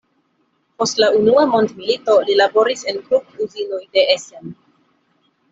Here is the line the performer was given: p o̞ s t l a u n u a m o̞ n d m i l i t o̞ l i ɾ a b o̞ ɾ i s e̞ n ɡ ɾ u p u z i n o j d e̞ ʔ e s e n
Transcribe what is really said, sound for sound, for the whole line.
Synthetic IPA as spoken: p o̞ s t l a u n u a m o̞ n d m i l i t o̞ l i l a b o̞ ɾ i s e̞ n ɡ ɾ u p u z i n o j d e̞ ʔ e s e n